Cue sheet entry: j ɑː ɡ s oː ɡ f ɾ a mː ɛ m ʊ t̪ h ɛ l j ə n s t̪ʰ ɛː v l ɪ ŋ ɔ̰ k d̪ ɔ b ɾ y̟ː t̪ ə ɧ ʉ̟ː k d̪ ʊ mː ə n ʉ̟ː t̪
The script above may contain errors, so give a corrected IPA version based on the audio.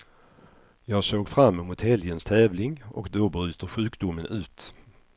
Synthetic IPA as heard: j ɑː ɡ s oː ɡ f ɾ a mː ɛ m ʊ t̪ h ɛ l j ə n s t̪ʰ ɛː v l ɪ ŋ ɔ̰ k d̪ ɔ b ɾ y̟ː t̪ ə ɧ ʉ̟ː k d̪ ʊ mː ə n ʉ̟ː t̪